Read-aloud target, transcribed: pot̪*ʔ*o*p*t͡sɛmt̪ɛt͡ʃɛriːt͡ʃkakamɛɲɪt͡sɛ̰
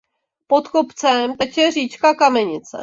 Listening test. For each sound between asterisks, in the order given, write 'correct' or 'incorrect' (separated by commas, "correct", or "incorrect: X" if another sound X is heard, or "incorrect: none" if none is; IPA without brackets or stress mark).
incorrect: k, correct